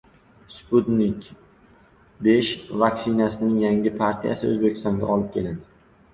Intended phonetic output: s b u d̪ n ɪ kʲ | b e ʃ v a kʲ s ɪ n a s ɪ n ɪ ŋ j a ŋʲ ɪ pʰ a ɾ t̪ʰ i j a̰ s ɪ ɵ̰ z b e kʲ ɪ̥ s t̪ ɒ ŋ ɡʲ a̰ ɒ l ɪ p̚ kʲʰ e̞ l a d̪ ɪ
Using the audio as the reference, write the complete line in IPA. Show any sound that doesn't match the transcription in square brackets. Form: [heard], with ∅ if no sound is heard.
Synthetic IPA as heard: s [p] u [t̪] n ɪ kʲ | b e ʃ v a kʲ s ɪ n a s ɪ n ɪ ŋ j a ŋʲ ɪ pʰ a ɾ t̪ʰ i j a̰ s ɪ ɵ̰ z b e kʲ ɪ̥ s t̪ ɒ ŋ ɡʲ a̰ ɒ l ɪ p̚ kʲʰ e̞ l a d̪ ɪ